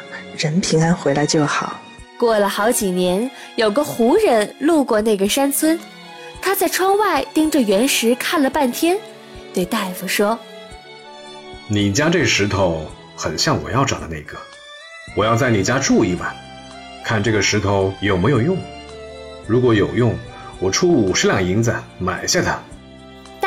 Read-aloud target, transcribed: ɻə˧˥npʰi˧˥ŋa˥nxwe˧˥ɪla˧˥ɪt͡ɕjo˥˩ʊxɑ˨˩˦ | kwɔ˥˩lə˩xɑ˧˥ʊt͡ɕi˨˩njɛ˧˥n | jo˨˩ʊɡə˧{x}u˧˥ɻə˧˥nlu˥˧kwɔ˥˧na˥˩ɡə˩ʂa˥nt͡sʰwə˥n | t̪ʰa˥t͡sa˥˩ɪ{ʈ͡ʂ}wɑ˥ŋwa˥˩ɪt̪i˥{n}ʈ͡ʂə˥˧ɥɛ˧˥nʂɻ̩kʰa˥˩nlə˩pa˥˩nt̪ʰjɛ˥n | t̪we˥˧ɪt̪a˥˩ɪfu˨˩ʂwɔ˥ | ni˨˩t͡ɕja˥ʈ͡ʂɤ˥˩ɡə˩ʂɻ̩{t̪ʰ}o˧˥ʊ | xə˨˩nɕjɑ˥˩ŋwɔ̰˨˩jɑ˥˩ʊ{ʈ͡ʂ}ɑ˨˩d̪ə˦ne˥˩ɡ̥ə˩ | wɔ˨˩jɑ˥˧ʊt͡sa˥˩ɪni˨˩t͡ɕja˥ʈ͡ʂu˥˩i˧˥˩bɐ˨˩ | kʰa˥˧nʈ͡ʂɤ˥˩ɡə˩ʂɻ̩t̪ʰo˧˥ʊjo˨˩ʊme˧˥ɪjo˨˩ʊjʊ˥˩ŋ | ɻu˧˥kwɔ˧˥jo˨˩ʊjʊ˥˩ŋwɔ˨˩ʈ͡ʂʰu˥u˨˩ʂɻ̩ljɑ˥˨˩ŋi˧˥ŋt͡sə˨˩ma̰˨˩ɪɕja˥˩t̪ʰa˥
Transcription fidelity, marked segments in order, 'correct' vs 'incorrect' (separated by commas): correct, incorrect, incorrect, correct, correct